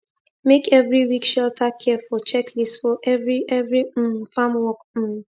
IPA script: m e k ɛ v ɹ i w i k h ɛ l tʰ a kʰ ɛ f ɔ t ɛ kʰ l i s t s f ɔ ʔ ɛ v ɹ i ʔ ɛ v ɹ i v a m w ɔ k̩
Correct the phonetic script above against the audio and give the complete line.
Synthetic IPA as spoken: m e k ɛ v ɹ i w i k ʃ ɛ l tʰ a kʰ ɛ f ɔ t͡ʃ ɛ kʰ l i s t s f ɔ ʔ ɛ v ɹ i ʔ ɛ v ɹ i f a m w ɔ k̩